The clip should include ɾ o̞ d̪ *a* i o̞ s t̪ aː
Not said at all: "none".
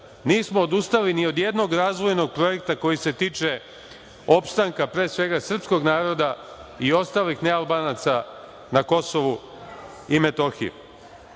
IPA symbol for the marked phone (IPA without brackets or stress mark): a